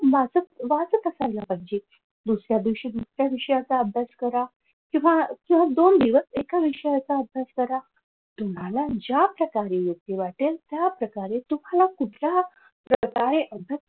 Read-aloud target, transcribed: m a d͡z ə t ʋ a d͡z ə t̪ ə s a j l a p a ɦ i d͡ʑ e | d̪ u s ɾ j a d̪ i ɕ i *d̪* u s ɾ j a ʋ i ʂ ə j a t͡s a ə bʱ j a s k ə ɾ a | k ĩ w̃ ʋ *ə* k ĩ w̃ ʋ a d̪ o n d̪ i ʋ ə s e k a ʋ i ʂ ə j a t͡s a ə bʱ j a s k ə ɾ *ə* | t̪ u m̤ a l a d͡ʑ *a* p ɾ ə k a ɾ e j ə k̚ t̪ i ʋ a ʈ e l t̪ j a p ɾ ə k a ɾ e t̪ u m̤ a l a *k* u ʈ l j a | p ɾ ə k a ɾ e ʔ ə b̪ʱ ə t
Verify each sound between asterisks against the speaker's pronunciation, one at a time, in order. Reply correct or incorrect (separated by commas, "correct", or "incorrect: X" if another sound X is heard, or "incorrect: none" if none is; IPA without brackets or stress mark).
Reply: correct, incorrect: a, incorrect: a, correct, correct